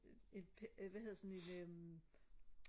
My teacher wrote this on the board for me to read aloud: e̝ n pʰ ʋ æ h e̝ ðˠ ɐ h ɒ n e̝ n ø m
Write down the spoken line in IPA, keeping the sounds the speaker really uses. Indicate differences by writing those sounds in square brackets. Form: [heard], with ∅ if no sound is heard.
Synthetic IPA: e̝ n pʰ ʋ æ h e̝ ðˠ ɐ [s] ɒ n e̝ n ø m